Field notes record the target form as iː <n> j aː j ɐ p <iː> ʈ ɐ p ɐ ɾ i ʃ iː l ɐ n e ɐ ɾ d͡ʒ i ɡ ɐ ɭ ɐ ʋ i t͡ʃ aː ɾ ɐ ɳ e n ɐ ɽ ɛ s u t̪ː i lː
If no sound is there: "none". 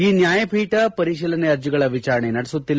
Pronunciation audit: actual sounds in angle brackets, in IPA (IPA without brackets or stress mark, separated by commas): n, iː